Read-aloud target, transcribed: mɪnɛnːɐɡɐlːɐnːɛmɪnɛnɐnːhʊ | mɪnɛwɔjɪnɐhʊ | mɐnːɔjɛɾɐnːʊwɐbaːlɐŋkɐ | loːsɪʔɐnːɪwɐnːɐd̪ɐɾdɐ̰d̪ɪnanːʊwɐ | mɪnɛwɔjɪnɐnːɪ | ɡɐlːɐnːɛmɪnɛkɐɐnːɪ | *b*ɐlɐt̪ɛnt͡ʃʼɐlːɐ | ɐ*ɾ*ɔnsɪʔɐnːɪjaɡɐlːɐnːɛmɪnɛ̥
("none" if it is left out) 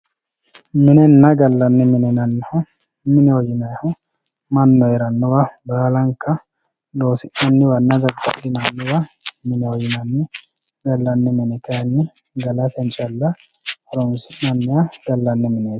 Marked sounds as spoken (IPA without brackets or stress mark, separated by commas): ɡ, ɾ